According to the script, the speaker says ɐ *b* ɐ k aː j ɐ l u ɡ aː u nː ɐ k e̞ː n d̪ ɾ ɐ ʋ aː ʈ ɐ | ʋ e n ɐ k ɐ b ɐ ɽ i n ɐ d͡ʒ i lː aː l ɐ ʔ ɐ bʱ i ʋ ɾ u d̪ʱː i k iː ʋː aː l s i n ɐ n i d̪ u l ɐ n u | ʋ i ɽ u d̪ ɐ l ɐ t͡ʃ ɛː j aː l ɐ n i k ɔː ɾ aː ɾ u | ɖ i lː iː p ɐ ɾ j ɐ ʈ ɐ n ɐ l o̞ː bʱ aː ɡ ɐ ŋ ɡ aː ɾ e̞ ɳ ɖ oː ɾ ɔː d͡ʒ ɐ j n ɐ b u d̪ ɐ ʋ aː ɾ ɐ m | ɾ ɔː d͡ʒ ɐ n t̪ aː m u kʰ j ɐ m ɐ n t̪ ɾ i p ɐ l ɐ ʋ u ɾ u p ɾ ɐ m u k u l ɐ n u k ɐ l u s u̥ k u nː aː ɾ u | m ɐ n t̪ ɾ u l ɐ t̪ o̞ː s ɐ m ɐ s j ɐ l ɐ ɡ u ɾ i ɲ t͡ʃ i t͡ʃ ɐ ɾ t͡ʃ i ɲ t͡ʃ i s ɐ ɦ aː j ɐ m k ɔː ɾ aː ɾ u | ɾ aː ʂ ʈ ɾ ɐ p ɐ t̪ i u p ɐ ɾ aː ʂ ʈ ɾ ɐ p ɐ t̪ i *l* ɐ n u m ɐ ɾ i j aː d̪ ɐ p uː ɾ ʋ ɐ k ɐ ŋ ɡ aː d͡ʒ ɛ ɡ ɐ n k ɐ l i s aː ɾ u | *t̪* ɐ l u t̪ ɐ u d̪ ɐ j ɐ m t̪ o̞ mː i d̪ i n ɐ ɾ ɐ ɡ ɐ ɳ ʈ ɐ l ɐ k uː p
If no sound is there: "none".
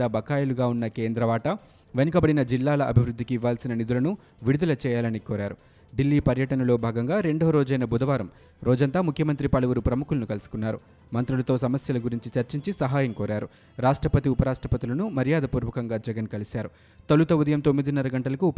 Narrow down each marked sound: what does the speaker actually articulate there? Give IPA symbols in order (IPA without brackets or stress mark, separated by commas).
b, l, t̪